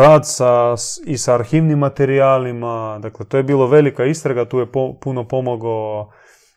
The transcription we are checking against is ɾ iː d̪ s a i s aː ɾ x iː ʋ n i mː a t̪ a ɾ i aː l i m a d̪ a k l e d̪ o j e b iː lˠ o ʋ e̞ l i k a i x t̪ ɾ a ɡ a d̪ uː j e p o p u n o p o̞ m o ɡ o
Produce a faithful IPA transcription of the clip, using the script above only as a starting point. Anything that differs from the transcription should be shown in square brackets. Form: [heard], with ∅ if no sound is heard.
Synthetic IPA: ɾ [aː] d̪ s a i s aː ɾ x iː ʋ n i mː a t̪ [e] ɾ i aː l i m a d̪ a k l e [t̪] o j e b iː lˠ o ʋ e̞ l i k a i [s] t̪ ɾ a ɡ a [t̪] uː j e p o p u n o p o̞ m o ɡ o